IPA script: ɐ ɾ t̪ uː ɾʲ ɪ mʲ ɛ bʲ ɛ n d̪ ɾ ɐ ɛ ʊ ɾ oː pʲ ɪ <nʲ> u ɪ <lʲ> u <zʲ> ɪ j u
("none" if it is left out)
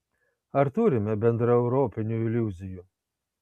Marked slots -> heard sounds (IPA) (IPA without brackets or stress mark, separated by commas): nʲ, lʲ, zʲ